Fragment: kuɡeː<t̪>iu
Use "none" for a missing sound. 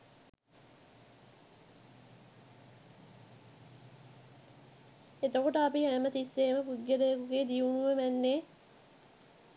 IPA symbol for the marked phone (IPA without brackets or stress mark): d̪